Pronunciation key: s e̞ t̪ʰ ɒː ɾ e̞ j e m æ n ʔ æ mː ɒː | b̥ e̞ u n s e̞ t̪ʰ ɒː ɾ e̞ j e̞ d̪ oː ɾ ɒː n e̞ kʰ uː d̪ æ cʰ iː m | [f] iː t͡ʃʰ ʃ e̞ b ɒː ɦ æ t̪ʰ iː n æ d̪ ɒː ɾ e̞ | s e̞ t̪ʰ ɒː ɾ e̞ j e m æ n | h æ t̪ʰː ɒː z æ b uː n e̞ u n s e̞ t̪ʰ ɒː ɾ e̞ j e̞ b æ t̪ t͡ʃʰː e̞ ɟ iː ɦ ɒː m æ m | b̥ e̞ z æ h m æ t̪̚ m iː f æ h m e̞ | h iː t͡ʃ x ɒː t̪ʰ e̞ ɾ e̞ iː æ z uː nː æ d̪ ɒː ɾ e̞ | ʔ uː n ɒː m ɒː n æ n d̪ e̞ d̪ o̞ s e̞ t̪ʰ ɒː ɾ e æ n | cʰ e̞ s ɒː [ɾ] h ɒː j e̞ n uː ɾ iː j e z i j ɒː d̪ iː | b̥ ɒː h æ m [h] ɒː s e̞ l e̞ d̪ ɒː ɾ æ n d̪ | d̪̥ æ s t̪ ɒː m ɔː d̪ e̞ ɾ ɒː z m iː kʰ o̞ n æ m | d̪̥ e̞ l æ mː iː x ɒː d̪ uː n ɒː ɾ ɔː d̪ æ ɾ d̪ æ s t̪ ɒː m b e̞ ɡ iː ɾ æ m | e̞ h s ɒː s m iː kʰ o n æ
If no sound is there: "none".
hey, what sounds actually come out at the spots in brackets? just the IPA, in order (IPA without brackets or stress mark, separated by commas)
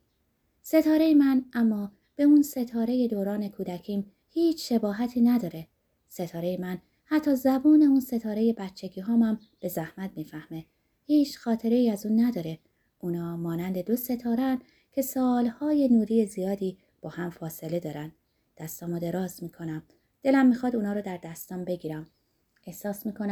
h, l, f